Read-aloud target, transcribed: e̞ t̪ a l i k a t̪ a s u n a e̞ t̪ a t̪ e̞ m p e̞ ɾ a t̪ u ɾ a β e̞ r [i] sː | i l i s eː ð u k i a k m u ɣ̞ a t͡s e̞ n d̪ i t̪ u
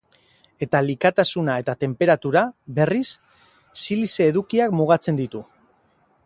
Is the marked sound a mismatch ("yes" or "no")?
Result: no